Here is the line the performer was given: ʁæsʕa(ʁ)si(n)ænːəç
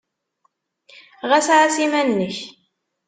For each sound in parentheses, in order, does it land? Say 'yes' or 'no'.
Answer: no, no

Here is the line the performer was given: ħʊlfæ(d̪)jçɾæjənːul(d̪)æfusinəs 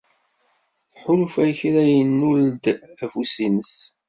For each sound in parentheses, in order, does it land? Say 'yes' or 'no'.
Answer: no, yes

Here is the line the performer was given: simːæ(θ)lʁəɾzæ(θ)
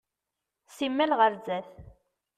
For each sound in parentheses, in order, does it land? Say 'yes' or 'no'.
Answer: no, yes

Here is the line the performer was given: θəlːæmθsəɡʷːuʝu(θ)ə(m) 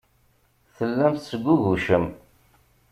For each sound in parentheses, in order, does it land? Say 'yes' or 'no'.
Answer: no, yes

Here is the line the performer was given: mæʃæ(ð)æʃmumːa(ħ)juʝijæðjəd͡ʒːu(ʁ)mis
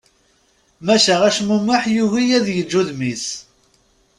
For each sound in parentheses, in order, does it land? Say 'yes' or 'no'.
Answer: no, yes, no

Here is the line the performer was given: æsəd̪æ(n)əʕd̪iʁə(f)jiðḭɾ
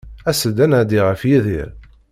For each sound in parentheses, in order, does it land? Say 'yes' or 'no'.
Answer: yes, yes

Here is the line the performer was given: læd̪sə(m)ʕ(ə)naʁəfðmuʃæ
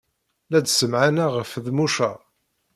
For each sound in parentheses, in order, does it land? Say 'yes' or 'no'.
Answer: yes, no

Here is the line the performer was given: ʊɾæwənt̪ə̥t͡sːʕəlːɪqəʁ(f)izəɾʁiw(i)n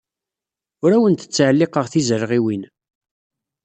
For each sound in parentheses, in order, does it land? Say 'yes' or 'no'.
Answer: no, yes

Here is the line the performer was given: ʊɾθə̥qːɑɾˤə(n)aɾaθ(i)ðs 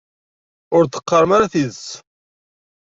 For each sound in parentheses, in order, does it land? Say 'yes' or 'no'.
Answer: no, yes

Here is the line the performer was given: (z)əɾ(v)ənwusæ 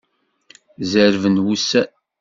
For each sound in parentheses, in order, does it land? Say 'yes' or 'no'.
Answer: yes, yes

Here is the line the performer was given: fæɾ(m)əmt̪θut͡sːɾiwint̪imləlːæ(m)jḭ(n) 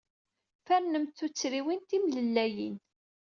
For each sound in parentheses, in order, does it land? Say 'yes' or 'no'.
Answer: no, no, yes

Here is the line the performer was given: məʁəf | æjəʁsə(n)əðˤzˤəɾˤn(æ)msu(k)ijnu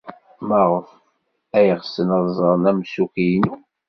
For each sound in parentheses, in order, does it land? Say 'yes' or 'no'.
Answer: yes, yes, yes

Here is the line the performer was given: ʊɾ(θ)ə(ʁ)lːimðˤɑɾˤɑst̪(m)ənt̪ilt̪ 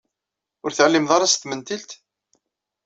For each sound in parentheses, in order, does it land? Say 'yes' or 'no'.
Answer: yes, no, yes

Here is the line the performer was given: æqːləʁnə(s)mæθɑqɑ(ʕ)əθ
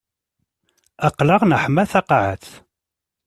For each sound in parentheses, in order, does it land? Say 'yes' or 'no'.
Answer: no, yes

